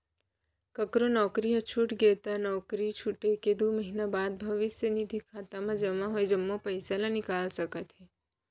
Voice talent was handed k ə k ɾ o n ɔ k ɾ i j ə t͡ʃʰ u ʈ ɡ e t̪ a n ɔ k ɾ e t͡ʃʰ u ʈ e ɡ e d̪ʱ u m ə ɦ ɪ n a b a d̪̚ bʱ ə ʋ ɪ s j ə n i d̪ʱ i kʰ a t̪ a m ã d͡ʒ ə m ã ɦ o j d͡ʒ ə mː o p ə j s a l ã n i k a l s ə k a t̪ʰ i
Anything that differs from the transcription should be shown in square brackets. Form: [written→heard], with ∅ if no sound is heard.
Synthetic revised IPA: k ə k ɾ o n ɔ k ɾ i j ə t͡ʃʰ u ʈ ɡ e t̪ a n ɔ k ɾ [e→i] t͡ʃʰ u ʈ e [ɡ→k] e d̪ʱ u m ə ɦ [ɪ→i] n a b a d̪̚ bʱ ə ʋ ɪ s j ə n i d̪ʱ i kʰ a t̪ a m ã d͡ʒ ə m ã ɦ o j d͡ʒ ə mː o p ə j s a l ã n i k a l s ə k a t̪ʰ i